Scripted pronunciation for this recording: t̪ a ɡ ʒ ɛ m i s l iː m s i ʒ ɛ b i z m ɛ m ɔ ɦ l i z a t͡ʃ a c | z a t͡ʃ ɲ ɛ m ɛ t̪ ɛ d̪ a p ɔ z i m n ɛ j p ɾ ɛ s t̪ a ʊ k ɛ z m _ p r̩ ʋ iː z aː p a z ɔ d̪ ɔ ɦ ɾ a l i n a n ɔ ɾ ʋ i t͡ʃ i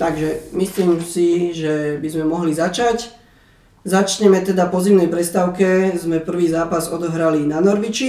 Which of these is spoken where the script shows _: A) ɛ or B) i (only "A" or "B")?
A